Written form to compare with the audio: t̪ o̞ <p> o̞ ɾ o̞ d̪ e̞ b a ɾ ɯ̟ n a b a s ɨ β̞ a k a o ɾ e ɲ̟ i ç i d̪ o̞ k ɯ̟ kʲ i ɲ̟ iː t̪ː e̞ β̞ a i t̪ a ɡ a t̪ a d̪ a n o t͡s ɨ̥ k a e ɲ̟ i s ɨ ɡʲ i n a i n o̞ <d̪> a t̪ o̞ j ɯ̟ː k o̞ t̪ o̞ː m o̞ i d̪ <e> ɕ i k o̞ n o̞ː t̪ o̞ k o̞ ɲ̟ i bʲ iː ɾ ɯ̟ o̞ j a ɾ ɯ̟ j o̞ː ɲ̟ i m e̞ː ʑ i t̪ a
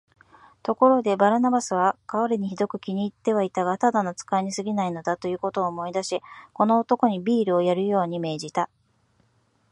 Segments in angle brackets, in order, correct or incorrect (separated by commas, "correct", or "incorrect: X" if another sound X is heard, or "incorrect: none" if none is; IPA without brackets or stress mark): incorrect: k, correct, incorrect: a